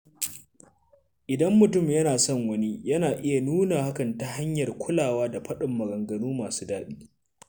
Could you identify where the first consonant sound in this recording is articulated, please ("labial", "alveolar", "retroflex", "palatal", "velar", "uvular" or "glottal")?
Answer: glottal